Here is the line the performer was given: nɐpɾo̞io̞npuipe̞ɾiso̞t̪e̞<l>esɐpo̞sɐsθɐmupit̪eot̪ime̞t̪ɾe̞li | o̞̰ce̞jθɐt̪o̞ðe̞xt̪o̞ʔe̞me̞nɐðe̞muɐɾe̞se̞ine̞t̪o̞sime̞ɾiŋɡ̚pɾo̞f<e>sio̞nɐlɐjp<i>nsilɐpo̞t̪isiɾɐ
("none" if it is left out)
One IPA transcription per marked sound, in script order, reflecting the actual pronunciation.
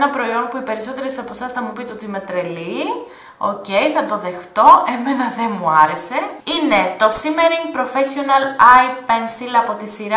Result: ɾ, e, e

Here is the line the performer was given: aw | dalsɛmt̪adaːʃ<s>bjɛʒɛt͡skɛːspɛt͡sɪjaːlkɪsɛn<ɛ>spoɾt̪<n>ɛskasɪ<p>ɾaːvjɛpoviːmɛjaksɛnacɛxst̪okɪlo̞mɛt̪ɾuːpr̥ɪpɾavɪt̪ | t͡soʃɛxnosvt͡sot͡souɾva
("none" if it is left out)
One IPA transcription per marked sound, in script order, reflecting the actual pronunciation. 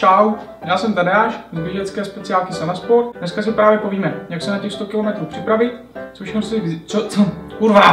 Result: z, a, n, p

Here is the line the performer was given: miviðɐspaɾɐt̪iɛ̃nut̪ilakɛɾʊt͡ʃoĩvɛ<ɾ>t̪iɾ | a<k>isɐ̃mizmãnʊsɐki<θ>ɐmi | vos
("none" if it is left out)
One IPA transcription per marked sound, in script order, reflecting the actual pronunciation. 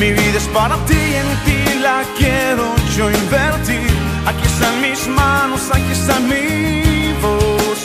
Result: ɾ, k, s

